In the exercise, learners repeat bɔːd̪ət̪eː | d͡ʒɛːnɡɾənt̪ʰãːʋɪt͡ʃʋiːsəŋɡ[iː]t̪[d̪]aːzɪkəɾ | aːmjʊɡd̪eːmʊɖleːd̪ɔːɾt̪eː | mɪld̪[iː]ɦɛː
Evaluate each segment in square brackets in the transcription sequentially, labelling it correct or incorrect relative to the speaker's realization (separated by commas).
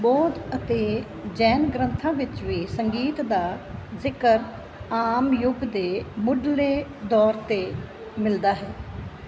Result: correct, correct, incorrect